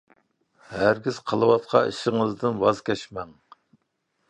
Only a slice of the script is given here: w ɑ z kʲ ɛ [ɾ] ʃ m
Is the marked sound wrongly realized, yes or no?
yes